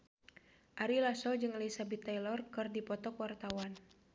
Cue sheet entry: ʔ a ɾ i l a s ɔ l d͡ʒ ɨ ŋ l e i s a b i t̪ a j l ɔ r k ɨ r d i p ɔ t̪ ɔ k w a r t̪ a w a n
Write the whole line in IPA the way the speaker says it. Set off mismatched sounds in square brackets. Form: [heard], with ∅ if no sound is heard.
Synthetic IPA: ʔ a ɾ i l a s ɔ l d͡ʒ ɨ ŋ l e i s a b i t̪ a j l ɔ r k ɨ r d i p ɔ t̪ ɔ k w a r t̪ a w a n